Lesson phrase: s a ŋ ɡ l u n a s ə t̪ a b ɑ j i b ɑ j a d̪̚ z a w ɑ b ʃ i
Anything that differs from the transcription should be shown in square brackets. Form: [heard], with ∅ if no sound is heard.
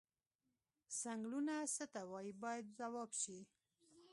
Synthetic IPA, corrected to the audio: s a ŋ ɡ l u n a s ə t̪ a [w] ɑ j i b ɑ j a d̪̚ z a w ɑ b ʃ i